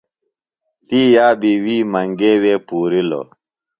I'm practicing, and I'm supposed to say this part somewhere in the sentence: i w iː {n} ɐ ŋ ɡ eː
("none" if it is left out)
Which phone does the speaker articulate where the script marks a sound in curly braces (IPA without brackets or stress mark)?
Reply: m